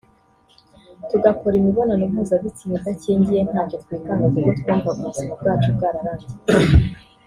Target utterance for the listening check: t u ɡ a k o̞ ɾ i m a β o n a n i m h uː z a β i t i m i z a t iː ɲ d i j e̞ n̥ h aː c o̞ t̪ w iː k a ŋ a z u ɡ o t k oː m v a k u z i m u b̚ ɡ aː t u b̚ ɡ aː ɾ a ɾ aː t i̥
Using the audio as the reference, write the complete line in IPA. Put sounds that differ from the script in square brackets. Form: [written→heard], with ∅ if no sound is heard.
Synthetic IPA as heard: t u ɡ a k o̞ ɾ i m [a→i] β o n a n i m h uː z a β i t i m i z a [t→c] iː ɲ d i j e̞ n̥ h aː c o̞ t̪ w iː k a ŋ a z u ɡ o t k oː m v a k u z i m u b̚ ɡ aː [t→t͡ʃ] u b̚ ɡ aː ɾ a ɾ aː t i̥